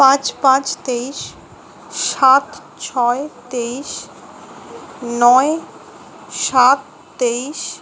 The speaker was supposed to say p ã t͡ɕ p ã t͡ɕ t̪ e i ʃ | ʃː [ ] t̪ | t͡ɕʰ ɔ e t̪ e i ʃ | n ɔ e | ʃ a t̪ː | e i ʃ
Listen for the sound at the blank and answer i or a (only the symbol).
a